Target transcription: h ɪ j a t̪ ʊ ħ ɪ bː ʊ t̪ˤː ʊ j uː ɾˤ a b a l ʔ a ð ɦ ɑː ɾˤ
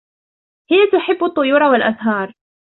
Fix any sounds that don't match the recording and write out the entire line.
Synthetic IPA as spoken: h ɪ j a t̪ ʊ ħ ɪ bː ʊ t̪ˤː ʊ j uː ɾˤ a w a l ʔ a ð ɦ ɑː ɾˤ